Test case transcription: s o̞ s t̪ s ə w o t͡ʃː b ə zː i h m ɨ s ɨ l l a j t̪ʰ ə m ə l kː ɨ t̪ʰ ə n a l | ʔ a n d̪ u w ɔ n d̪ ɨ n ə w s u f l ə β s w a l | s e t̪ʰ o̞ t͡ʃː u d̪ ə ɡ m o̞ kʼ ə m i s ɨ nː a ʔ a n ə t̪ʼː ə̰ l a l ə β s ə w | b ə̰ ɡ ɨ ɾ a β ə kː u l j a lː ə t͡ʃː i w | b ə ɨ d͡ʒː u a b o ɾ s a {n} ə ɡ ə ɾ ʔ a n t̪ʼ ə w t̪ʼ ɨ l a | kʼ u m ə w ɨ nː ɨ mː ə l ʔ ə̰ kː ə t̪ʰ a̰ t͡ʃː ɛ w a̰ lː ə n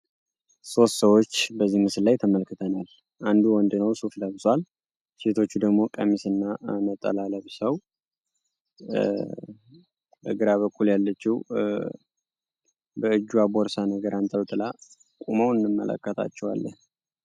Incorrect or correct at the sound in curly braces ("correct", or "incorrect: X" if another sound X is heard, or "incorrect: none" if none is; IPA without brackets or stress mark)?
correct